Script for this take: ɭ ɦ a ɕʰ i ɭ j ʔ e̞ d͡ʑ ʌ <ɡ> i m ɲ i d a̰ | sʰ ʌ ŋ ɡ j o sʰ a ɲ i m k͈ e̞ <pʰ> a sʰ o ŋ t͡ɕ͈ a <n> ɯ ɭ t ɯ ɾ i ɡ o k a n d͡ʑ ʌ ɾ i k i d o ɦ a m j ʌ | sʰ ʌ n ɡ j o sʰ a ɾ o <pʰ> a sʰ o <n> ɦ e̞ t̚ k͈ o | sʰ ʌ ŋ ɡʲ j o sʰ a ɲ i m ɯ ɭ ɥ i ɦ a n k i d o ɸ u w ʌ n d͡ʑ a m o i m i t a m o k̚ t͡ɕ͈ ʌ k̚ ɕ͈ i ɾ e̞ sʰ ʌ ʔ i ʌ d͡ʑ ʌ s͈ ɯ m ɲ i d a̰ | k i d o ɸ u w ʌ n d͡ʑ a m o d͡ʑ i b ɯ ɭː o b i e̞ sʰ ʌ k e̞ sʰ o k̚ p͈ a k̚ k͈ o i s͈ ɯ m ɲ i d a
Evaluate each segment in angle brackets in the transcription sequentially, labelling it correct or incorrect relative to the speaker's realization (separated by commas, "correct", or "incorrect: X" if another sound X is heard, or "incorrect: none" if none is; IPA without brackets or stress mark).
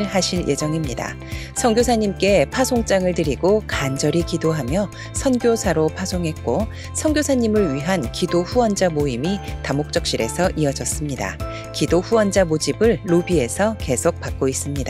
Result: incorrect: ŋ, correct, incorrect: ŋ, correct, incorrect: ŋ